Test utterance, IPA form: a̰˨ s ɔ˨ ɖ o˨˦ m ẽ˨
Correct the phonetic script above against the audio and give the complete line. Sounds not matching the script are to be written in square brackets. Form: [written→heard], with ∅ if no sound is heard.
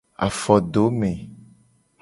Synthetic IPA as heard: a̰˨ [s→f] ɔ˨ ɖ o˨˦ m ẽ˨